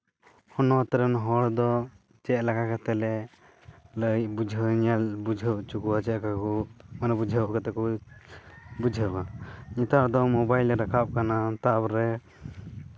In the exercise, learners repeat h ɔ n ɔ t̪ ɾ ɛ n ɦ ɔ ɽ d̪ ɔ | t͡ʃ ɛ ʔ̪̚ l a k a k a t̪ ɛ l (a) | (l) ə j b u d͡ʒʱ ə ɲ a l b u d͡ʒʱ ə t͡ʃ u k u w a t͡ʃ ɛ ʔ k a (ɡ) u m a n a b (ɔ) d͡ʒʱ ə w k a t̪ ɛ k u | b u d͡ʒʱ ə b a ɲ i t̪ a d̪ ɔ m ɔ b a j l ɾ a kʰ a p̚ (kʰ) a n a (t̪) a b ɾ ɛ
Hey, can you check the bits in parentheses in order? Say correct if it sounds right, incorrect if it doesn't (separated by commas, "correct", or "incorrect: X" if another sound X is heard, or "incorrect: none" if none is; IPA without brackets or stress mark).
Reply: incorrect: ɛ, correct, incorrect: k, incorrect: u, incorrect: k, correct